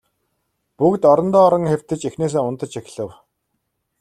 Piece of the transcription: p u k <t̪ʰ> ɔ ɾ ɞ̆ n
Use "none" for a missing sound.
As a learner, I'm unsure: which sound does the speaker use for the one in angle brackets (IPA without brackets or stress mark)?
t̪